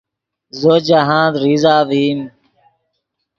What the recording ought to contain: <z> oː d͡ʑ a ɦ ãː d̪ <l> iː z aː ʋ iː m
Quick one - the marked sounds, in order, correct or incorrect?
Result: correct, incorrect: ɾ

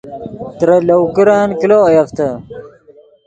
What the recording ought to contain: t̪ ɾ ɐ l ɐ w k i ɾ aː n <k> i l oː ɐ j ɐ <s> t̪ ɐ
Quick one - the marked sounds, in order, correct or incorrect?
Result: correct, incorrect: f

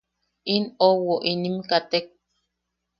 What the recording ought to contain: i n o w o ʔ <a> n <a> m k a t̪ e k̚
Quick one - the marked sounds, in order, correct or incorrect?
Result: incorrect: i, incorrect: i

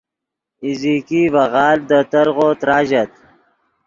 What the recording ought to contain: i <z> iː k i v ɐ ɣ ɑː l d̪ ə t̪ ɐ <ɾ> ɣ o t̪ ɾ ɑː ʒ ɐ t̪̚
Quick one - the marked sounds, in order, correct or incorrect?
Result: correct, correct

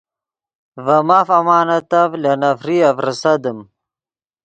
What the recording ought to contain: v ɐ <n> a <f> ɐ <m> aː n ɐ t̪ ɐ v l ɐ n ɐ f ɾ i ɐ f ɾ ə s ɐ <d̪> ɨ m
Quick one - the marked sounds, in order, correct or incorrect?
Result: incorrect: m, correct, correct, correct

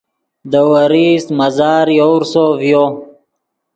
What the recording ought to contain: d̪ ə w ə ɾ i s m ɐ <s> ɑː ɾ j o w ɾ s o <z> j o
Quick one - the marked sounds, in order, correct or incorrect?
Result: incorrect: z, incorrect: v

